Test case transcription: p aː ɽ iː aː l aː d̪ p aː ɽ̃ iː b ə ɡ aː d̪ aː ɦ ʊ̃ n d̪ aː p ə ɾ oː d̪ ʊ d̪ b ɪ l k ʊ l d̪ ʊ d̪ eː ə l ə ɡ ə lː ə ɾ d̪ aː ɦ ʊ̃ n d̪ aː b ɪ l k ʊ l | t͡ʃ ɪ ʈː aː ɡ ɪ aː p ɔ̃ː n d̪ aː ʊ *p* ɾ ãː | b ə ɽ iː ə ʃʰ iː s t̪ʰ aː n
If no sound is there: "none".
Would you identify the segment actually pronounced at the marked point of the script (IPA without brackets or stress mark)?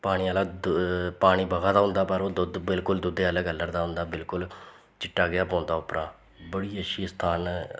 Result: p